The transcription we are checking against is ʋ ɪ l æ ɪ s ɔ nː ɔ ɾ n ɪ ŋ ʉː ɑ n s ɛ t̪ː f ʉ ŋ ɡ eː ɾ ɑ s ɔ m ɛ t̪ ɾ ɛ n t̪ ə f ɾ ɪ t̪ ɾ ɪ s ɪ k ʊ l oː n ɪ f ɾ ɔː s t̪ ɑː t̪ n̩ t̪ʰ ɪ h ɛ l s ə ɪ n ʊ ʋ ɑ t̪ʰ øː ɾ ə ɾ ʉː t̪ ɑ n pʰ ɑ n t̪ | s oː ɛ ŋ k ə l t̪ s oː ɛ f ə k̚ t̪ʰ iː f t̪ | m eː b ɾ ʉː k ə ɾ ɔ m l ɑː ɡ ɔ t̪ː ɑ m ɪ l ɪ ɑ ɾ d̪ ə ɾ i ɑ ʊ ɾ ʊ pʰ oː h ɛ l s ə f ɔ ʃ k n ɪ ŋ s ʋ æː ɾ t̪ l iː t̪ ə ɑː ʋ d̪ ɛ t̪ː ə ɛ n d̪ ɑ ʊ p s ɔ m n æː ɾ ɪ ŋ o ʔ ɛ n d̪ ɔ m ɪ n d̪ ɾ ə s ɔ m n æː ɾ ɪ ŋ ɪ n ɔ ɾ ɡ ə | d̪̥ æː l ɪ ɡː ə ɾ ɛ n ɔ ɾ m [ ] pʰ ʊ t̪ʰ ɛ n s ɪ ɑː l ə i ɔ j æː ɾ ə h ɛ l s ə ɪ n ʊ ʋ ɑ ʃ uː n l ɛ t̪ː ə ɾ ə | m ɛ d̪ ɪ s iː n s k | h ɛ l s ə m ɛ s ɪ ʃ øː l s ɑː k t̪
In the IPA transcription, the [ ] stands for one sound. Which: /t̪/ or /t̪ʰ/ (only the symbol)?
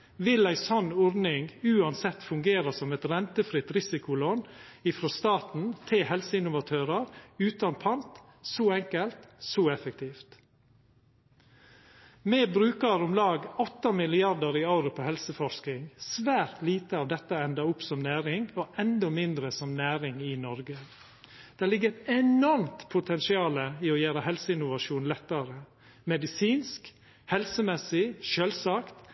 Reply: t̪